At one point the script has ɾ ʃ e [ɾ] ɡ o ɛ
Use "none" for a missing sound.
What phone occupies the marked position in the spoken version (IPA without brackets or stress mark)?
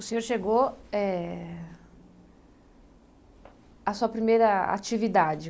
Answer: none